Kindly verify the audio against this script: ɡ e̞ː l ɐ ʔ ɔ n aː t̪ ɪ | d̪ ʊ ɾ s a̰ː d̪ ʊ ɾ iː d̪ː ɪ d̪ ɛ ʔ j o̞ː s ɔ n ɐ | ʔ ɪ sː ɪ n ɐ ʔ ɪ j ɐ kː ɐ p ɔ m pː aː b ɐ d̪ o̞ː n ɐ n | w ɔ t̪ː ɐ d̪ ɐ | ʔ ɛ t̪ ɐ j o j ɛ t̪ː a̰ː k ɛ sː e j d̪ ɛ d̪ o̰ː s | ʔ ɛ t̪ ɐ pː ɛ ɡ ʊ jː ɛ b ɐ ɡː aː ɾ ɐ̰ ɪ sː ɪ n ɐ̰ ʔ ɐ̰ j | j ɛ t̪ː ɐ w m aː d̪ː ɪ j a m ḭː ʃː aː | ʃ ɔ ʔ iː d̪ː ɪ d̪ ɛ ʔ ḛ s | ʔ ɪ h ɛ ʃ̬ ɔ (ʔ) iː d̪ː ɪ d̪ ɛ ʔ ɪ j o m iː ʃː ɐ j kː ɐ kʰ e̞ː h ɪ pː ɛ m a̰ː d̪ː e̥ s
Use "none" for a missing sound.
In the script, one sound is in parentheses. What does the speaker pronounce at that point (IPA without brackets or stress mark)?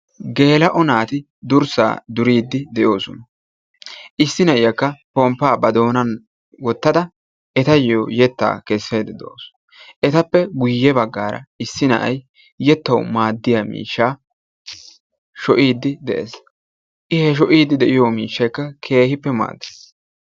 ʔ